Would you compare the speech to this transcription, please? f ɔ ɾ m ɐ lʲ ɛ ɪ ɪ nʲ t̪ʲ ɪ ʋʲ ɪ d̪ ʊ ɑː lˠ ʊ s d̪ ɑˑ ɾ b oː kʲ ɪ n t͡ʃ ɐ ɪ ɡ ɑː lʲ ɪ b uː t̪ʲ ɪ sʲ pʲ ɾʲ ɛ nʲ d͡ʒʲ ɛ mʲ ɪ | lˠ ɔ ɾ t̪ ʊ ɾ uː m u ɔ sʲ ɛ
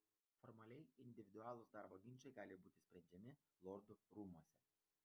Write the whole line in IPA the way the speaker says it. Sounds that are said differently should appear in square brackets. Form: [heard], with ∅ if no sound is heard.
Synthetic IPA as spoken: f ɔ ɾ m ɐ lʲ ɛ ɪ ɪ nʲ [d̪ʲ] ɪ ʋʲ ɪ d̪ ʊ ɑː lˠ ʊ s d̪ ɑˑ ɾ b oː [ɡʲ] ɪ n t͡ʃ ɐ ɪ ɡ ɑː lʲ ɪ b uː t̪ʲ ɪ sʲ pʲ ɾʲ ɛ nʲ d͡ʒʲ ɛ mʲ ɪ | lˠ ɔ ɾ [d̪] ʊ ɾ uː m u ɔ sʲ ɛ